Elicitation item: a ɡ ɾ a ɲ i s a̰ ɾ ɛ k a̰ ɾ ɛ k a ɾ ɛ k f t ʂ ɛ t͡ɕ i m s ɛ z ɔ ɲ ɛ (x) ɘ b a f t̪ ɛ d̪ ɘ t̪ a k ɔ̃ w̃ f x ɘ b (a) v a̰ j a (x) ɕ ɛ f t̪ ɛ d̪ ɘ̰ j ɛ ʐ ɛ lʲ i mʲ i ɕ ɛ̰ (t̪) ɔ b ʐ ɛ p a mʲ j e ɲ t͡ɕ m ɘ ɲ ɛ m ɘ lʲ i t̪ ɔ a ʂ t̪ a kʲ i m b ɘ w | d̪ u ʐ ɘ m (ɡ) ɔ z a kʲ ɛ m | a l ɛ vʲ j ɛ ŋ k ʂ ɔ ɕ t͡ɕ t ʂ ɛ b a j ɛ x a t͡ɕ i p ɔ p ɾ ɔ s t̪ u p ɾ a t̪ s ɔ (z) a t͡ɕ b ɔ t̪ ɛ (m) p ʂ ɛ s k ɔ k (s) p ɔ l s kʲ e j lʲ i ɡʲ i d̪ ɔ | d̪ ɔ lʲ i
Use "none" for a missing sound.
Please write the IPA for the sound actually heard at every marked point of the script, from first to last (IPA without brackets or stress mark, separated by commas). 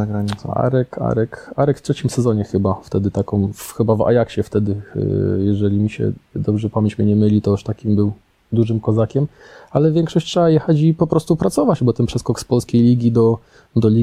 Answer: x, a, k, d̪, k, v, n, s